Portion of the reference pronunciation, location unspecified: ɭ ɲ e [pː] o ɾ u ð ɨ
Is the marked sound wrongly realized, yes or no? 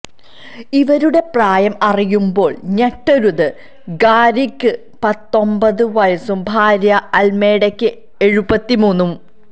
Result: yes